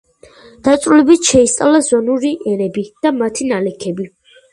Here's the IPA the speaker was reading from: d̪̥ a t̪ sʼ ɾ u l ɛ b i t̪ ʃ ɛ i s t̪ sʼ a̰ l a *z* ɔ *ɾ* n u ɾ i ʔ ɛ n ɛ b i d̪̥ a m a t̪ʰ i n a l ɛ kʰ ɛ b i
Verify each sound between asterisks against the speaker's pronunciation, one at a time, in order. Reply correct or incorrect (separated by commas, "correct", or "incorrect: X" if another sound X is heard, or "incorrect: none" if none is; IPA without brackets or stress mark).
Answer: correct, incorrect: none